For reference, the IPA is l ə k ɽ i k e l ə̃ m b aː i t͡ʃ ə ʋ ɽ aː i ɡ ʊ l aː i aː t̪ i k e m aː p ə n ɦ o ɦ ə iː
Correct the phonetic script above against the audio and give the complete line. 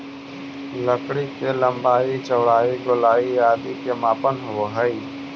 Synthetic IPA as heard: l ə k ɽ i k e l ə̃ m b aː i t͡ʃ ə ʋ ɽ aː i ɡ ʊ l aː i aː d̪ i k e m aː p ə n ɦ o ɦ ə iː